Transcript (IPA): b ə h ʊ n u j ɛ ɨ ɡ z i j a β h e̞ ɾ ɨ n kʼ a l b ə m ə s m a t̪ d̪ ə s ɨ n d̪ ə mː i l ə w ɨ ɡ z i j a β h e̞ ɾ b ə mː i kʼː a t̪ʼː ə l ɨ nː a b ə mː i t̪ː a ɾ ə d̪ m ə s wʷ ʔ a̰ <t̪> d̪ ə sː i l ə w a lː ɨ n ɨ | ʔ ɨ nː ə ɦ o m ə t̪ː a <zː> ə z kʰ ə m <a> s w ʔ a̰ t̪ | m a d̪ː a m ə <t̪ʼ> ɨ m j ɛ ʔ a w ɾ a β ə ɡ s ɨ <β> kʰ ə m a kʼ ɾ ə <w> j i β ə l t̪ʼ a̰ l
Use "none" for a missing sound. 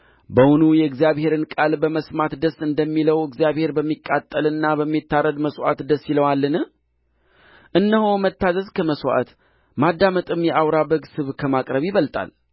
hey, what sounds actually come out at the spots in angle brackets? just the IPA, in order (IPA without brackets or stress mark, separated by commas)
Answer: t̪, z, ə, t̪ʼ, β, β